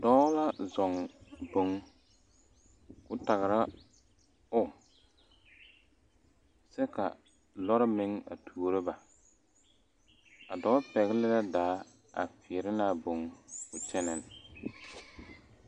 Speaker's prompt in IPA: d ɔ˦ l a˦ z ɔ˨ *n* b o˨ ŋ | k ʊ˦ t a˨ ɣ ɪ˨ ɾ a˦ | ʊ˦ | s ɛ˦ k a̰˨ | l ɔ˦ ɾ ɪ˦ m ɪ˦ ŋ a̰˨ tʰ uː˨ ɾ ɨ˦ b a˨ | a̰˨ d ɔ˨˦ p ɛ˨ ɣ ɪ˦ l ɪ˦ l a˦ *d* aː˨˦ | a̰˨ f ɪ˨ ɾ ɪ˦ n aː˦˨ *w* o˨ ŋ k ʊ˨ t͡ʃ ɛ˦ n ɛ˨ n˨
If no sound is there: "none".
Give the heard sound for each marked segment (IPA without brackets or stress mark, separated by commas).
ŋ, d, b